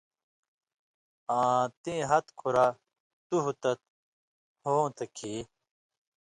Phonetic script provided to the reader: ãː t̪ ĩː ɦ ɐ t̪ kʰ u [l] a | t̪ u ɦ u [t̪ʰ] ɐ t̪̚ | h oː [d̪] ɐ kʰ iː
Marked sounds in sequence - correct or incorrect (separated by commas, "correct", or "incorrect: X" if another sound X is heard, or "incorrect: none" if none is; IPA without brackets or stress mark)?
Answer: incorrect: ɾ, incorrect: t̪, incorrect: t̪